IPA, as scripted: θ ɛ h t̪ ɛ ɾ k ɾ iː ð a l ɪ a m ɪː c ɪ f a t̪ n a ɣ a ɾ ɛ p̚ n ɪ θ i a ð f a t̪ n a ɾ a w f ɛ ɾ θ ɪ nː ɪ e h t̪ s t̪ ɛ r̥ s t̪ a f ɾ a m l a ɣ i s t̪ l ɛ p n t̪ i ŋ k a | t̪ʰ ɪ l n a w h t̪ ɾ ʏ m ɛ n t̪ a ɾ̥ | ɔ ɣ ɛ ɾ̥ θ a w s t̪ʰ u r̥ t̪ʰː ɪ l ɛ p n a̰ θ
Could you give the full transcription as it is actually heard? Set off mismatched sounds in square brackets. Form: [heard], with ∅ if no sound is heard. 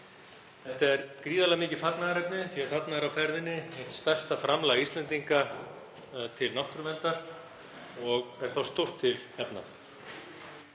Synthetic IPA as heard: θ ɛ h t̪ ɛ ɾ k ɾ iː ð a l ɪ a m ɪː c ɪ f a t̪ n a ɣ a ɾ ɛ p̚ n ɪ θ i a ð f a t̪ n a ɾ a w f ɛ ɾ [ð] ɪ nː ɪ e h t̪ s t̪ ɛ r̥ s t̪ a f ɾ a m l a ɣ i s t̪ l ɛ [∅] n t̪ i ŋ k a | t̪ʰ ɪ l n a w h t̪ ɾ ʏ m ɛ n t̪ a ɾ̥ | ɔ ɣ ɛ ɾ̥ θ a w s [t̪] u r̥ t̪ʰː ɪ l ɛ p n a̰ θ